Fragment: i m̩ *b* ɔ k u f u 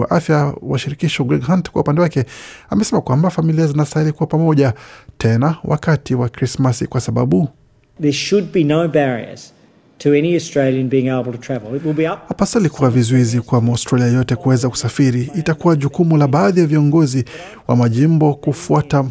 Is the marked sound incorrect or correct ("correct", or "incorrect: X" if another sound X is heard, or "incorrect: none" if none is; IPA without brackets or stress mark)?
correct